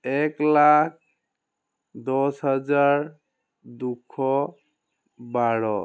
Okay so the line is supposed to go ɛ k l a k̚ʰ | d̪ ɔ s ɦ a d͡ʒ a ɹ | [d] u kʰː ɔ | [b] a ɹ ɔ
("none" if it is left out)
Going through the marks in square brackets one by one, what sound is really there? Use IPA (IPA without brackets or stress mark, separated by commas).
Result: d, b